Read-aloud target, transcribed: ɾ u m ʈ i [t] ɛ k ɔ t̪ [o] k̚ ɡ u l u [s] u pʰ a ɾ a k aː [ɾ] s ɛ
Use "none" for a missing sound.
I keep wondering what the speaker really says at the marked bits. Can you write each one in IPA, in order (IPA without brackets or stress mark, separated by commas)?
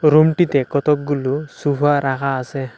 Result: t, ɔ, s, none